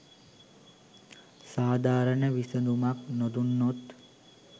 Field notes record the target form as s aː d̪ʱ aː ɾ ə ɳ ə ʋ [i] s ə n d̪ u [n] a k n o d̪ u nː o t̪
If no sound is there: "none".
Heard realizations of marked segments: i, m

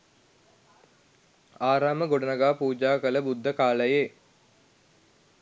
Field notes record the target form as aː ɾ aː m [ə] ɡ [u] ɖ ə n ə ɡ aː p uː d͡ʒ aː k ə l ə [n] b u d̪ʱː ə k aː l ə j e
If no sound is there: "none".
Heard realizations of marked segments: ə, o, none

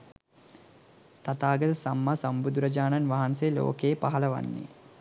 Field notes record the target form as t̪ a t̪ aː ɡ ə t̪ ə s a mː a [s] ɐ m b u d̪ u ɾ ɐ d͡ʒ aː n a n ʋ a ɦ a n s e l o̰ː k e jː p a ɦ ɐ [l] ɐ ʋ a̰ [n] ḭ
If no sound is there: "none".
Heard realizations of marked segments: s, l, nː

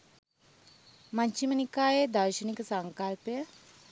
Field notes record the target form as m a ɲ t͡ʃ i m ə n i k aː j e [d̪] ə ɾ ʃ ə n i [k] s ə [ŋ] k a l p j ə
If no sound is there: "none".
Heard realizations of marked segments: d̪, k, ŋ

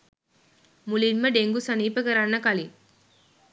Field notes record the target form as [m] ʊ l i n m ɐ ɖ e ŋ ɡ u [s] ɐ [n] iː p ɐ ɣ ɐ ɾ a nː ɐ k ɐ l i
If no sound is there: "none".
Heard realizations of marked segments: m, s, n

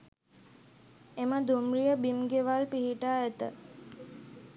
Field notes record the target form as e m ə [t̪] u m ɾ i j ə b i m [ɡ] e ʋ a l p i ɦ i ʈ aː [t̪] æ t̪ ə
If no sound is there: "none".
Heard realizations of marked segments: d̪, ɡ, none

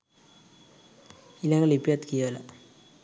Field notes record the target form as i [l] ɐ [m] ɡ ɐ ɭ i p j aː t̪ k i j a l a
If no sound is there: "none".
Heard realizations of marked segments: l, ŋ

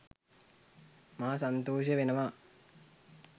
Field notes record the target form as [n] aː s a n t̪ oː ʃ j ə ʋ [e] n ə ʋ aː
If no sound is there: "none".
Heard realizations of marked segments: m, e

